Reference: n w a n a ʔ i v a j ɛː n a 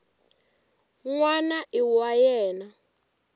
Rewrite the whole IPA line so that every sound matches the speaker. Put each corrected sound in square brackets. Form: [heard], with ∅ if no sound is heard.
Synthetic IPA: [ŋ] w a n a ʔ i [w] a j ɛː n a